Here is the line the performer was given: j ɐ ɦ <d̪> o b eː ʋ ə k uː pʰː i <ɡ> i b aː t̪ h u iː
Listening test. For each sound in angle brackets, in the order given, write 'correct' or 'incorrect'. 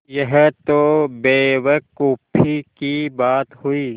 incorrect, incorrect

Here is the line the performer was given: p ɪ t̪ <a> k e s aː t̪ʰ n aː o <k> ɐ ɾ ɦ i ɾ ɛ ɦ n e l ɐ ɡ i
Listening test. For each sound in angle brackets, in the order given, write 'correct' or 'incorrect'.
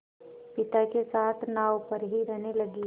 correct, incorrect

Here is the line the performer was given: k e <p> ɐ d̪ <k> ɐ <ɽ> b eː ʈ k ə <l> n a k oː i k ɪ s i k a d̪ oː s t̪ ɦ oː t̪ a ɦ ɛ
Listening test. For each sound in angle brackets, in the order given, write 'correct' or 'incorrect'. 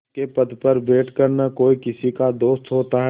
correct, incorrect, incorrect, incorrect

